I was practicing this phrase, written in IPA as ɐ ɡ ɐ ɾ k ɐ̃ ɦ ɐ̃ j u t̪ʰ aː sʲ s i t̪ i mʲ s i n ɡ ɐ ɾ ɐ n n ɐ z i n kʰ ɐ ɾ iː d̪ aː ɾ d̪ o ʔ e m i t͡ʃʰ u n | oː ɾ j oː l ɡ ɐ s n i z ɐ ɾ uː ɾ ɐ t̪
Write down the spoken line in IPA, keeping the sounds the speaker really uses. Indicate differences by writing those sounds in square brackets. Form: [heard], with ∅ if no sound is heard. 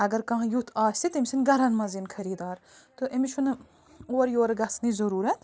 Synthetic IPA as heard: ɐ ɡ ɐ ɾ k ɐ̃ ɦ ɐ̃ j u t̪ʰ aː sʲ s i t̪ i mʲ s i n ɡ ɐ ɾ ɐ n [m] ɐ z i n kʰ ɐ ɾ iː d̪ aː ɾ [t̪] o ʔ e m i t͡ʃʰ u n | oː ɾ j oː [ɾ] ɡ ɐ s n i z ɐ ɾ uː ɾ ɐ t̪